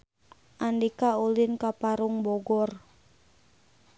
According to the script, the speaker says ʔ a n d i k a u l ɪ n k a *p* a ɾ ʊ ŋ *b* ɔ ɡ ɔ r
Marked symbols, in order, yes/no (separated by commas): yes, yes